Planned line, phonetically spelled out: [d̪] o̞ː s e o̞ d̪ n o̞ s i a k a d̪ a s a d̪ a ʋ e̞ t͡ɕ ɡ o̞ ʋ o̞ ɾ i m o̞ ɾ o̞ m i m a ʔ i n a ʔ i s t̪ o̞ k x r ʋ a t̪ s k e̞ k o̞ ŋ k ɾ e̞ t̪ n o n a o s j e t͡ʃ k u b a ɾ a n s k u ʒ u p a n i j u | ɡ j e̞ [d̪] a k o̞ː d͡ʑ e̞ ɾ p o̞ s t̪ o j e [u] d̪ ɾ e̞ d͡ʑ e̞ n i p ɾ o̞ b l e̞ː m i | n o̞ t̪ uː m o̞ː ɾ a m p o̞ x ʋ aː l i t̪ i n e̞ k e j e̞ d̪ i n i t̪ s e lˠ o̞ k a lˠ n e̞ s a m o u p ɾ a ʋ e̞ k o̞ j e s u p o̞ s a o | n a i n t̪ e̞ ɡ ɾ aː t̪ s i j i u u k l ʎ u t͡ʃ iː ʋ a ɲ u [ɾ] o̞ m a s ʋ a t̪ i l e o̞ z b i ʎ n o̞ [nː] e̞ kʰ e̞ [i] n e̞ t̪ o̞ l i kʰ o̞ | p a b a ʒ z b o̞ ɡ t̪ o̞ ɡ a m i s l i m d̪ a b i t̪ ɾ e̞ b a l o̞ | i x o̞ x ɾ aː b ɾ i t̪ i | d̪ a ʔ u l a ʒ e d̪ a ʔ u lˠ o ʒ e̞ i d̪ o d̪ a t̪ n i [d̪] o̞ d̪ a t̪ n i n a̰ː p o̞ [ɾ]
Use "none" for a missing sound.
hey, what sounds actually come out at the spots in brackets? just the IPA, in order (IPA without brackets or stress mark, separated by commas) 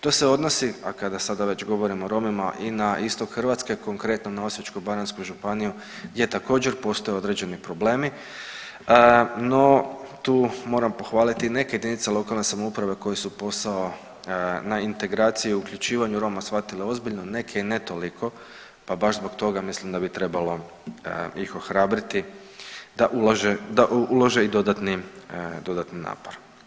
t̪, t̪, o, ɾ, n, i, d̪, ɾ